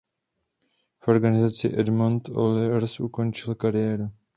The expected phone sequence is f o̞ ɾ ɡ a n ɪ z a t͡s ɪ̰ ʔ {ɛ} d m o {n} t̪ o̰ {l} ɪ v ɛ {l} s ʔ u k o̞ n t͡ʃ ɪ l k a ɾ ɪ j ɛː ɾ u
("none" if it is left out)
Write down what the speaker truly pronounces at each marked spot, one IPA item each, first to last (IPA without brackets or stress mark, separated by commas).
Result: ɛ, n, l, ɾ